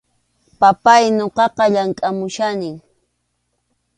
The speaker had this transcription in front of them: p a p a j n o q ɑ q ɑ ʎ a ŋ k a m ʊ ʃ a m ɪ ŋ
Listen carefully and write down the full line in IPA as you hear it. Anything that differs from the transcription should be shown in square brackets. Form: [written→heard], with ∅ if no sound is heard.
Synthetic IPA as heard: p a p a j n o q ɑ q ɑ ʎ a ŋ [k→kʼ] a m ʊ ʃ a [m→n] ɪ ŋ